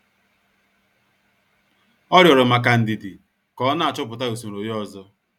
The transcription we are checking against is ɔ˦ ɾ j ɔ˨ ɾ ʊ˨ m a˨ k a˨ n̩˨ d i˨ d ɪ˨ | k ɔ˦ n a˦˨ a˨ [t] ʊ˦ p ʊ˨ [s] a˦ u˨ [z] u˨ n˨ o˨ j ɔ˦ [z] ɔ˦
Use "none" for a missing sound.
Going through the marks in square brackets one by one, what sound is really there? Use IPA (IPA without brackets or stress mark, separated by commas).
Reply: t͡ʃ, t, s, z